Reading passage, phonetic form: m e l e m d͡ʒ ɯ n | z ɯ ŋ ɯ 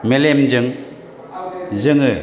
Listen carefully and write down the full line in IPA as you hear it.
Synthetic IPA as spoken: m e l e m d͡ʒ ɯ ŋ | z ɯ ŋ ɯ